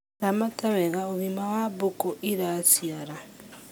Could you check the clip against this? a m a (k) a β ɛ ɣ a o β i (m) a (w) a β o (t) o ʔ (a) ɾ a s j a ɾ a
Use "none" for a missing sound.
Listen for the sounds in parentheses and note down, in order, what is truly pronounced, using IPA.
t, m, w, k, i

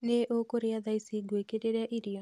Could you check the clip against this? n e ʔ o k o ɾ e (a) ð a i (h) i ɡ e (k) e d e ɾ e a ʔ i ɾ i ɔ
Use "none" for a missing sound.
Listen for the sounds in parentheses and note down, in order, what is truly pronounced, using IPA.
a, s, k

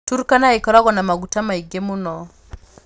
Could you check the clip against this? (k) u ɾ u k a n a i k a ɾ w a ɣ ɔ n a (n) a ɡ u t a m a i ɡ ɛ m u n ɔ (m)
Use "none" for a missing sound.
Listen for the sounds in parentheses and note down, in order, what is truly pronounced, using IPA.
t, m, none

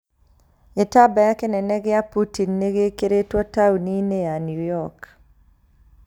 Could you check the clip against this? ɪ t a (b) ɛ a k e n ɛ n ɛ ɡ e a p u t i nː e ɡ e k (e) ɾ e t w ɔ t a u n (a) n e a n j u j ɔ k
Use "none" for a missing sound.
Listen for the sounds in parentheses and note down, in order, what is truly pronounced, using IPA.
b, e, i

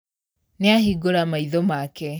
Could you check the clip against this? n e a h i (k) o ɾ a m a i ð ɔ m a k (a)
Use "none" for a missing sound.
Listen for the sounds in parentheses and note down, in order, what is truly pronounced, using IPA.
ɡ, ɛ

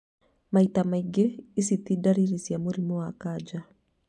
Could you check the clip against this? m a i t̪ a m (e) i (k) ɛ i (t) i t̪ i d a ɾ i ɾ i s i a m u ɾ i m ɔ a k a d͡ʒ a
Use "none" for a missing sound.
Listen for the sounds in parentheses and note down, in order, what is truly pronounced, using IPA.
a, ɡ, s

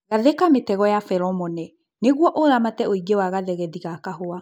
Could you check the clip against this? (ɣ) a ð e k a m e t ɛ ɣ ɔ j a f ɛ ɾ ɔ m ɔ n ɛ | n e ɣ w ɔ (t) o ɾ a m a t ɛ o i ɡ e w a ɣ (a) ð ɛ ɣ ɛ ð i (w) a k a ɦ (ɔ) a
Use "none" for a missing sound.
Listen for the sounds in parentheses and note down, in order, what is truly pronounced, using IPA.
ɣ, ʔ, a, ɣ, o

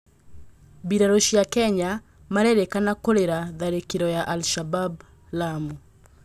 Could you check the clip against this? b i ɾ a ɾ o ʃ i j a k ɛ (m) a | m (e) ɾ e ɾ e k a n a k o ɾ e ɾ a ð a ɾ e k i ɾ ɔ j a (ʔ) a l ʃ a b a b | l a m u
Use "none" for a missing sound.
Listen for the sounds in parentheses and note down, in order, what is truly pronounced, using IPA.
ɲ, a, ʔ

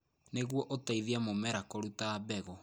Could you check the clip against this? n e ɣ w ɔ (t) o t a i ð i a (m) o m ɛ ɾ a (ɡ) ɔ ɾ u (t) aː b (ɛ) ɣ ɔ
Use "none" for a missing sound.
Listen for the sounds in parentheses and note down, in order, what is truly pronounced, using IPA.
ʔ, m, k, t, ɛ

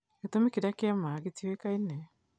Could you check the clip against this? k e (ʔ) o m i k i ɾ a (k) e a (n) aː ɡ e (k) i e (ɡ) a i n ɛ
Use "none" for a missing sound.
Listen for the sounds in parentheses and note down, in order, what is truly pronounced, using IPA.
t, k, m, t, k

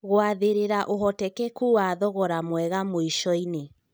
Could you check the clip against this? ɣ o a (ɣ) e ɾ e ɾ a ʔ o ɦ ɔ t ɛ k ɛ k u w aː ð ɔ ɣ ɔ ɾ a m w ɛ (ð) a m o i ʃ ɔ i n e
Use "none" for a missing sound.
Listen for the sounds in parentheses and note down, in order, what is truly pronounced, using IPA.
ð, ɣ

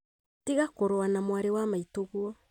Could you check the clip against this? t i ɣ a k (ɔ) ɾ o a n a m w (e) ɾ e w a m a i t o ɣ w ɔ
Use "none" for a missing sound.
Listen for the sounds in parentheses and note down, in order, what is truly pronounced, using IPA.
o, a

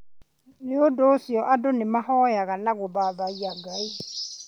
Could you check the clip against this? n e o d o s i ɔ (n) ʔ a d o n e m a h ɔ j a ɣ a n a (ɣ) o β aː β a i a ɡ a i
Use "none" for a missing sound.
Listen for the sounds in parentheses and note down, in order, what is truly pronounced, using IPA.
none, ɣ

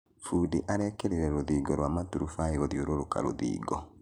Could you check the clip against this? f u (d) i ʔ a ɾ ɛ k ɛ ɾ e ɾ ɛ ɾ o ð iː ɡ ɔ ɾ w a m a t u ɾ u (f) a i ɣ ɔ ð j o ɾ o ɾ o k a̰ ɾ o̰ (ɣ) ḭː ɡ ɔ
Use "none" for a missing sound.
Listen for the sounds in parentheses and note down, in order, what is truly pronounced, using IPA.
d, f, ð

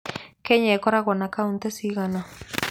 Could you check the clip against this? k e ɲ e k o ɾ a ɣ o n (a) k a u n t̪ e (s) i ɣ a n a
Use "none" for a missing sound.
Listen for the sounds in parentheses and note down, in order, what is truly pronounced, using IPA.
a, s

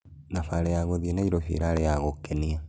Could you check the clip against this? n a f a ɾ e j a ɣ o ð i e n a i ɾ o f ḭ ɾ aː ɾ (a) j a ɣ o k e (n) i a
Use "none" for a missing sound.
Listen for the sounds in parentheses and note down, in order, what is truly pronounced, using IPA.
e, n

